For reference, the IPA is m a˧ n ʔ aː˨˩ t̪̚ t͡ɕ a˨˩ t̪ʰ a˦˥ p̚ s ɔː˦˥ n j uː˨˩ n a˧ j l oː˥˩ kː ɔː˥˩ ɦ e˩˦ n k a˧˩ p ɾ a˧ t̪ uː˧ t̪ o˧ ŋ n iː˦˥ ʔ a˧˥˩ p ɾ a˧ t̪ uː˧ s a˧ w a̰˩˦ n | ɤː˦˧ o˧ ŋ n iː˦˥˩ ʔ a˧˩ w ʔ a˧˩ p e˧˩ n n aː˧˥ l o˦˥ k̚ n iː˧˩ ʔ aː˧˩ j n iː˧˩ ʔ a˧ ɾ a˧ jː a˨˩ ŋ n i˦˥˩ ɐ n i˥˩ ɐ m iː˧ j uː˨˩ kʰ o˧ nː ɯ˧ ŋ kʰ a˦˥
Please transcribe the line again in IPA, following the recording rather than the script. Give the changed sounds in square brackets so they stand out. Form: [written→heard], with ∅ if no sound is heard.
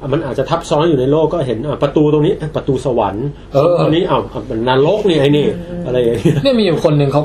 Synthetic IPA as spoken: m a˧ n ʔ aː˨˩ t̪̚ t͡ɕ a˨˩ t̪ʰ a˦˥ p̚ s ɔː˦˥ n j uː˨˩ n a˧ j l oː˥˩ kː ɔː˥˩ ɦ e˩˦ n [k→ʔ] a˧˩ p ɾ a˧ t̪ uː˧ t̪ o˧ ŋ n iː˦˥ ʔ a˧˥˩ p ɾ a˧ t̪ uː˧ s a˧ w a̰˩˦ n | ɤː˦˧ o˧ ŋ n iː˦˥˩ ʔ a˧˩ w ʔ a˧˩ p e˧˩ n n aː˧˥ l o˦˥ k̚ n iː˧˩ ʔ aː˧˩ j n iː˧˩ ʔ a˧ ɾ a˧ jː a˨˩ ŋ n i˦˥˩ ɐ n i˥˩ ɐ m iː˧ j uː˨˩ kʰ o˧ nː ɯ˧ ŋ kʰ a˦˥